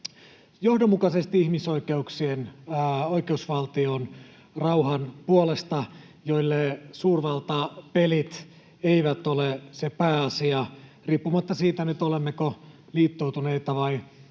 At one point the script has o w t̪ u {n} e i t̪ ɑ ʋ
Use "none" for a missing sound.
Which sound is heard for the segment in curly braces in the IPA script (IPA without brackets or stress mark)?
n